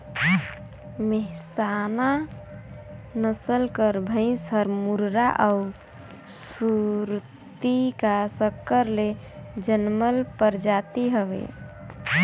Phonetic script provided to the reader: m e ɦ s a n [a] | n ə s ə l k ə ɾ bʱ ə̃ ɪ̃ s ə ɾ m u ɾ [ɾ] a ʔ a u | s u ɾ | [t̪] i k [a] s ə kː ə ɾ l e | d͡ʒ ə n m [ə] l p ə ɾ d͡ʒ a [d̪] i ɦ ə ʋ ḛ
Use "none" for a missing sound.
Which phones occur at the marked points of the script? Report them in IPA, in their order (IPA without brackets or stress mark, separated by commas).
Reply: a, ɾ, t̪, a, ə, t̪